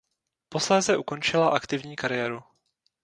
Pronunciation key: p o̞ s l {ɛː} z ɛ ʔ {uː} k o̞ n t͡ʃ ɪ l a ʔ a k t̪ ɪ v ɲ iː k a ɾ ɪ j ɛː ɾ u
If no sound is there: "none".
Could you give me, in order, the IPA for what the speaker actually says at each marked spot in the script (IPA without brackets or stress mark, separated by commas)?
ɛː, u